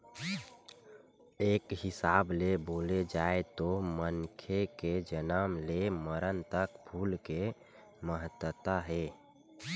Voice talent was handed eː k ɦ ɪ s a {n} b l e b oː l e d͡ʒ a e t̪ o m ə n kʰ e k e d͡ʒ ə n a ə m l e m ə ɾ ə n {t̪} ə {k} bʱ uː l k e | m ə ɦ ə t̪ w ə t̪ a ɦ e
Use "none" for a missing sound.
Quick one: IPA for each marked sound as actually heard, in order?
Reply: none, t̪, k

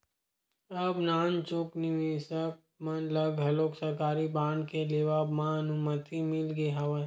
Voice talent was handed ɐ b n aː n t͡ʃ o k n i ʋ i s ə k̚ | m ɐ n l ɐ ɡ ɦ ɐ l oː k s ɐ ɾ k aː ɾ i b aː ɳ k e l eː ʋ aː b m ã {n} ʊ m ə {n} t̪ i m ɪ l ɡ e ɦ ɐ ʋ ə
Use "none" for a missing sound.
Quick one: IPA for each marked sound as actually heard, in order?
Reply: n, none

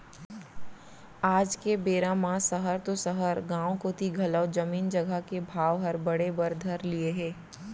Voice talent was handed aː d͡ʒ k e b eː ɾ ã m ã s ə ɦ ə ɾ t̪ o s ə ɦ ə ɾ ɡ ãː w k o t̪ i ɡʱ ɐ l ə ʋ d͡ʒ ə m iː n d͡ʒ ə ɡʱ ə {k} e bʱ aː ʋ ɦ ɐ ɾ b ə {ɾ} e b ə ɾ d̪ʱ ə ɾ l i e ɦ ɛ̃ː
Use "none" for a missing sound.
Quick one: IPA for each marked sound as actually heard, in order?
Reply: k, ɽ

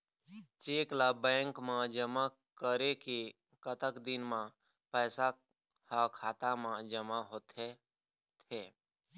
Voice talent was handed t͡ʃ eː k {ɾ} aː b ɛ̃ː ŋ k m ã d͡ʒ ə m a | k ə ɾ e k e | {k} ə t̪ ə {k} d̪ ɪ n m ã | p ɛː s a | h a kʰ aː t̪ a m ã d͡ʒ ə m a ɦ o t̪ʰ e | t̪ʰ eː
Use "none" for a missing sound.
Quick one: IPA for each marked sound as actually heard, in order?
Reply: l, k, k

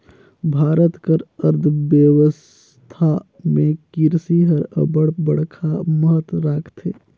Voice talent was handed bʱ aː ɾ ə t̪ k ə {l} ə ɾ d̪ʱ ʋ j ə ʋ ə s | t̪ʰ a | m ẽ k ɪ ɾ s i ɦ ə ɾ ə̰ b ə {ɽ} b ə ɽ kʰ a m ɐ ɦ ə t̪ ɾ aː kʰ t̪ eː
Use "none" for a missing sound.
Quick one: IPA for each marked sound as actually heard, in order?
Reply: ɾ, ɽ

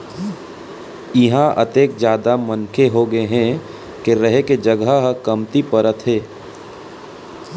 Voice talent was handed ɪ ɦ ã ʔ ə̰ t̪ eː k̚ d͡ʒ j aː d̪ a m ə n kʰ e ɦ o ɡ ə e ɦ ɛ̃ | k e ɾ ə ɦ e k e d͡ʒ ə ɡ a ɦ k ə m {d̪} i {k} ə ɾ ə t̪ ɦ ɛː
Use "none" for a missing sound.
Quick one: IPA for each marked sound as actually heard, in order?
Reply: t̪, p

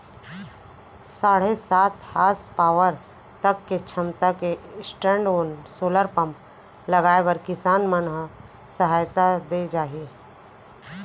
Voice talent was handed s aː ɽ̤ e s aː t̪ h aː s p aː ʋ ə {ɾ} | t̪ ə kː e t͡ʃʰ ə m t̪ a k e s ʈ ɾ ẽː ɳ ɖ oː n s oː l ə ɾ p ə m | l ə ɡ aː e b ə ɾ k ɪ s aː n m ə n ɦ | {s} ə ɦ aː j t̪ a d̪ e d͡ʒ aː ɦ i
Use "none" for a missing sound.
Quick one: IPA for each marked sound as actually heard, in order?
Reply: ɾ, s

